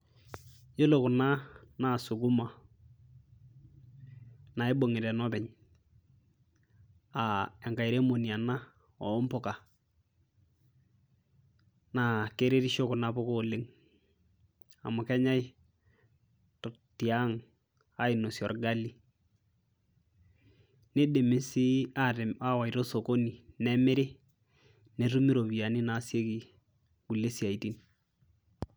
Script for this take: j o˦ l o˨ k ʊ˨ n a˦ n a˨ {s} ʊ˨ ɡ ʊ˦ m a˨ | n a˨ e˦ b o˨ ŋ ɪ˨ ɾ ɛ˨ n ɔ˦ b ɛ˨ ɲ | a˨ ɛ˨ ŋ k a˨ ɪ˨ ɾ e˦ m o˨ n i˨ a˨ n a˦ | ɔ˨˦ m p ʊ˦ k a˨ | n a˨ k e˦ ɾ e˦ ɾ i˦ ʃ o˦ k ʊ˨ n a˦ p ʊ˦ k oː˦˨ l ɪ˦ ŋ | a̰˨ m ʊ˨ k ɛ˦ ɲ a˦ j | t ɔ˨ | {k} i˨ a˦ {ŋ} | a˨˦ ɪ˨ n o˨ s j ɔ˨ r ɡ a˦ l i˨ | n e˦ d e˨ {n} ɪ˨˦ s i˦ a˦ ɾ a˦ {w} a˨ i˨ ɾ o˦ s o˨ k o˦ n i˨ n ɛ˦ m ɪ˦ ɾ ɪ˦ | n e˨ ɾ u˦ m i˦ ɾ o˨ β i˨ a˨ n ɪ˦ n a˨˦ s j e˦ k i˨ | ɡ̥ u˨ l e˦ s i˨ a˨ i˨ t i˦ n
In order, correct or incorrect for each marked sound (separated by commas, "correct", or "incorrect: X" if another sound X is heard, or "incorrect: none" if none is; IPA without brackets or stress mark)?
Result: correct, incorrect: t, correct, incorrect: m, correct